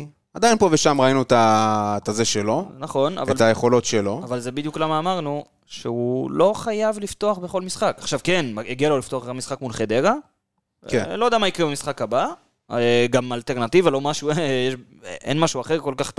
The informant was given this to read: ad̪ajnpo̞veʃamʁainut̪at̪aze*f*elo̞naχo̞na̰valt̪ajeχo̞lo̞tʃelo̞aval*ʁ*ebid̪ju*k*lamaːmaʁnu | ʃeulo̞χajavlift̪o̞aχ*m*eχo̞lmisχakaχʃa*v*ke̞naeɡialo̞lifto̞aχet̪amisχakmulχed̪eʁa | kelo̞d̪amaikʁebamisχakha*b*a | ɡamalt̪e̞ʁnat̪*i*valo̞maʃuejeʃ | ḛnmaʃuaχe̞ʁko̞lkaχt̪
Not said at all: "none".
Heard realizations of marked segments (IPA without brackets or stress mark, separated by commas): ʃ, z, k, b, v, b, i